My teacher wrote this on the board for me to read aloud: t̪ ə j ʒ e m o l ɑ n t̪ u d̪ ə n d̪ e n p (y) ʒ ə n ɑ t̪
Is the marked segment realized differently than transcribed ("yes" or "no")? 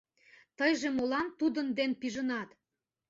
yes